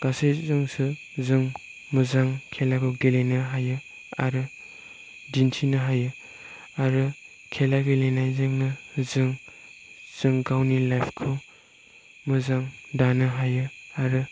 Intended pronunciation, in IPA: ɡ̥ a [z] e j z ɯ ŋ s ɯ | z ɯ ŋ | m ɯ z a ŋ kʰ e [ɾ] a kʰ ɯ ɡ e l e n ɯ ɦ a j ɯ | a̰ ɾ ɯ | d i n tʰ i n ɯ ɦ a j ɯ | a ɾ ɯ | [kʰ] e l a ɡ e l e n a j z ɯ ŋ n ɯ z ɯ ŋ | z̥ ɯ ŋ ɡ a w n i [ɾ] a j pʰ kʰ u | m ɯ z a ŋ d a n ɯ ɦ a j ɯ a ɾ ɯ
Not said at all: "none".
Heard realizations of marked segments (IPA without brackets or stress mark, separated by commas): s, l, kʰ, l